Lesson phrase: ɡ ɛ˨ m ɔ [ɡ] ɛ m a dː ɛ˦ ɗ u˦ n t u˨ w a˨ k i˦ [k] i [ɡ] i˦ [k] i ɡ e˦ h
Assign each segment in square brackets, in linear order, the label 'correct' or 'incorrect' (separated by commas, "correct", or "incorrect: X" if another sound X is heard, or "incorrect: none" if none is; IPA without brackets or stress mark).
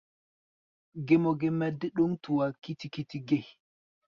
correct, incorrect: t, incorrect: k, incorrect: t